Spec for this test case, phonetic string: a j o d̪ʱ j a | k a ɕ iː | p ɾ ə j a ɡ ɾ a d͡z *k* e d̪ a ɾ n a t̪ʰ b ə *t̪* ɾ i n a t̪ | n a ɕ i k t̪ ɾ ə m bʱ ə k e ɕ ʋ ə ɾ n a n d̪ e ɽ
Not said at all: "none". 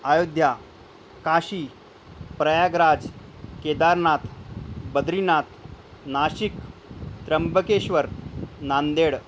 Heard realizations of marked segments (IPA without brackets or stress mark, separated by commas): k, d̪